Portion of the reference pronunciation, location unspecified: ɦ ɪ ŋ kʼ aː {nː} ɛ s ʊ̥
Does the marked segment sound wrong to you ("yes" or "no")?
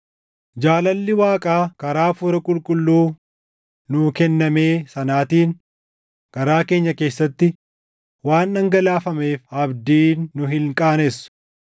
yes